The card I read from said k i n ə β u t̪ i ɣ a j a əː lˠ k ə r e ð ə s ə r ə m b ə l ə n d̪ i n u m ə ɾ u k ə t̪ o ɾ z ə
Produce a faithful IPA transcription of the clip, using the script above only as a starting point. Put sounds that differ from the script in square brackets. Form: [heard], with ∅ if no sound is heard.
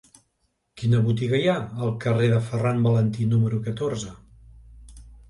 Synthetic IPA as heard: k i n ə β u t̪ i ɣ [ə] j a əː lˠ k ə r e ð ə [f] ə r [a] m b ə l ə n [t̪] i n u m ə ɾ u k ə t̪ o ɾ z ə